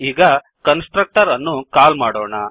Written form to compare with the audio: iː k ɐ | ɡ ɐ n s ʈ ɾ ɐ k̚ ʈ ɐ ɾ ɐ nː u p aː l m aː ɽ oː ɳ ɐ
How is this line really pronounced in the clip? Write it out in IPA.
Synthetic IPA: iː ɡ ɐ | k ɐ n s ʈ ɾ ɐ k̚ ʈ ɐ ɾ ɐ nː u k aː l m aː ɽ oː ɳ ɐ